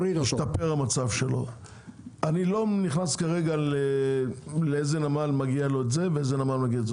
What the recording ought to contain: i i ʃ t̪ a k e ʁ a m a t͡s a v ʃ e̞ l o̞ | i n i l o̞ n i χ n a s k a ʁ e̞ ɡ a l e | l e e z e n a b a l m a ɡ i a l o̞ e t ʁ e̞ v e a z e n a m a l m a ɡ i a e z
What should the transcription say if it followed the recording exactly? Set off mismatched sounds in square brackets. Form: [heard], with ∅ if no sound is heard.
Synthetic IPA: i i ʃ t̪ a [p] e ʁ a m a t͡s a v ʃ e̞ l o̞ | [a] n i l o̞ n i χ n a s k a ʁ e̞ ɡ a l e | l e e z e n a [m] a l m a ɡ i a l o̞ e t [z] e̞ v e [e] z e n a m a l m a ɡ i a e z